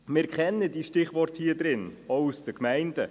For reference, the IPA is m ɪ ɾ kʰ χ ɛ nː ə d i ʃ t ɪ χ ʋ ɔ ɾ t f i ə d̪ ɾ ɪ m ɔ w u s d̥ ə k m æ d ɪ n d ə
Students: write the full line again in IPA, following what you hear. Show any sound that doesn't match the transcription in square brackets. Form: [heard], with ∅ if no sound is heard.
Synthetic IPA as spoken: m ɪ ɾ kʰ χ ɛ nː ə d i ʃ t ɪ χ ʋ ɔ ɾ t [h] i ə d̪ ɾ ɪ [n] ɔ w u s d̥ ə k m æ [∅] ɪ n d ə